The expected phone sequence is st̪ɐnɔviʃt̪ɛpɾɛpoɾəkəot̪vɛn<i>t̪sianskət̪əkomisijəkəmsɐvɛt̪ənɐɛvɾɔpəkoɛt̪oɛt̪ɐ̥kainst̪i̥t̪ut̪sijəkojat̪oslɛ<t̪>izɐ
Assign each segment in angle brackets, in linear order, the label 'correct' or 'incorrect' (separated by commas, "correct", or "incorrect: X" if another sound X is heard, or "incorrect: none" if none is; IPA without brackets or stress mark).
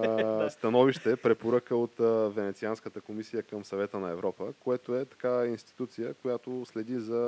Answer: incorrect: ɛ, incorrect: d̪